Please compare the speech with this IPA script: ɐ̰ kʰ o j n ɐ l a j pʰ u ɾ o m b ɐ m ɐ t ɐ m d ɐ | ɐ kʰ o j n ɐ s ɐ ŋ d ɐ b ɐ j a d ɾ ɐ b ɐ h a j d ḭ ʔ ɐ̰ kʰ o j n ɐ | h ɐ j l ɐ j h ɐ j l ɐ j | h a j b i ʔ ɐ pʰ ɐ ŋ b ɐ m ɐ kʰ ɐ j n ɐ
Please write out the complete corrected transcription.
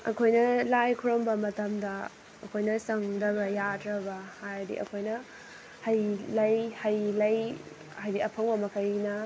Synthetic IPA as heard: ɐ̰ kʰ o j n ɐ l a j kʰ u ɾ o m b ɐ m ɐ t ɐ m d ɐ | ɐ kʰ o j n ɐ s ɐ ŋ d ɐ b ɐ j a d ɾ ɐ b ɐ h a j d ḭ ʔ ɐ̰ kʰ o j n ɐ | h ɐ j l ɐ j h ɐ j l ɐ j | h a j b i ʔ ɐ pʰ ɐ ŋ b ɐ m ɐ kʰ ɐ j n ɐ